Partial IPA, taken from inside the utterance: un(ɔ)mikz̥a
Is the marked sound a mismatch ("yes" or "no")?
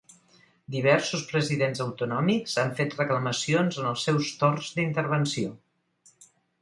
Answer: no